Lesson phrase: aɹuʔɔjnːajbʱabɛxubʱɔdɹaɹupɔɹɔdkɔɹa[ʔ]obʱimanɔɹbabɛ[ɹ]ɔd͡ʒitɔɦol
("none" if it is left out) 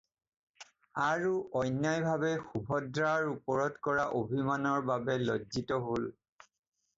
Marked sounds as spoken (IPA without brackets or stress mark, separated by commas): ʔ, l